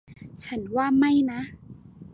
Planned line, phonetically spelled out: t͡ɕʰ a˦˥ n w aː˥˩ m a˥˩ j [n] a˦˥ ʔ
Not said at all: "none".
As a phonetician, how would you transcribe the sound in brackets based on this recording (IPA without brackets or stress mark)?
n